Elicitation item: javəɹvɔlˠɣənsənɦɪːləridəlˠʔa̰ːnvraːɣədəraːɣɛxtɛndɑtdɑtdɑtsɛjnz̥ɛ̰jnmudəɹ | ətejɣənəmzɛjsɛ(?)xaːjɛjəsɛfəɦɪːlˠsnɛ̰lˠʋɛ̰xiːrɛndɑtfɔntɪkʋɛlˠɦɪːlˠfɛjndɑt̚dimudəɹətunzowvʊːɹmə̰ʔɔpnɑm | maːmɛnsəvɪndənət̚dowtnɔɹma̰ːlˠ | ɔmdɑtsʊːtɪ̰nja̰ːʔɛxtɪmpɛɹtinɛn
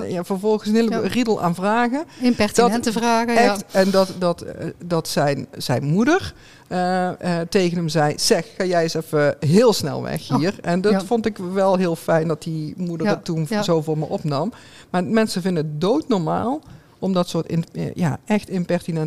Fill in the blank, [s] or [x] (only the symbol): x